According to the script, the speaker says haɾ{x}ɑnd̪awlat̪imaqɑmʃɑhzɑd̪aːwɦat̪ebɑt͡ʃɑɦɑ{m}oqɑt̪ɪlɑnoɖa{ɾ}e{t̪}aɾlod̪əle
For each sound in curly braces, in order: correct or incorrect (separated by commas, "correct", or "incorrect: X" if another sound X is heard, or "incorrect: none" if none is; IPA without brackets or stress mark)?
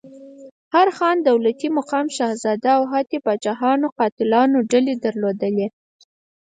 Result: correct, incorrect: n, incorrect: l, incorrect: d̪